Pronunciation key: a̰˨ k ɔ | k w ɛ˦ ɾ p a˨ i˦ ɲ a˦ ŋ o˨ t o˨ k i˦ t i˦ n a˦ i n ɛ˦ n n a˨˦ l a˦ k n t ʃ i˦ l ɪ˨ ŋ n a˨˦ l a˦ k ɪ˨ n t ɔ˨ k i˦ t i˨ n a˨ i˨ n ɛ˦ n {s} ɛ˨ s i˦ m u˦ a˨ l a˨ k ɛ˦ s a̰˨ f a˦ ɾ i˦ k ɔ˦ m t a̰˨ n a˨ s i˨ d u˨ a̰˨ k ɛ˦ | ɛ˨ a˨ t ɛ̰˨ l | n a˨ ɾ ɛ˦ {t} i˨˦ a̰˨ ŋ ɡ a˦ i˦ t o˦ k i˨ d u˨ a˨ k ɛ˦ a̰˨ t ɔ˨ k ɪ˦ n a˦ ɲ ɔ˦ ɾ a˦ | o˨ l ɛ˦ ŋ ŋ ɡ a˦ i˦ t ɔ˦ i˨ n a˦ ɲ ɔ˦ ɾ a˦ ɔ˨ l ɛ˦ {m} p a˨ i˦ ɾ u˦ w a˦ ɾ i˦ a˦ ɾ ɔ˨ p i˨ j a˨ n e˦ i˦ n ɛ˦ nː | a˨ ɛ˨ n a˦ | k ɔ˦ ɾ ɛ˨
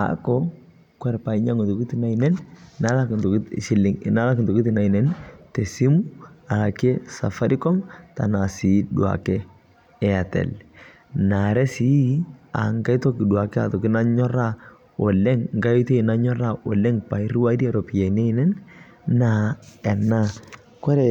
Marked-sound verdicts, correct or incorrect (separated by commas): incorrect, incorrect, incorrect